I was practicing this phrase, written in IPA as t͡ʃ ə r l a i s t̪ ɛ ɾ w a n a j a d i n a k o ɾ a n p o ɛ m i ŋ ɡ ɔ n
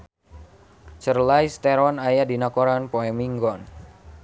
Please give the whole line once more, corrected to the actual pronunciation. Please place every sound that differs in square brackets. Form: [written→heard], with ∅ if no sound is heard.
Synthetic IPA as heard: t͡ʃ ə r l a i s t̪ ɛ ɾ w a n a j a d i n a k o ɾ a n p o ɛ m i ŋ ɡ ɔ n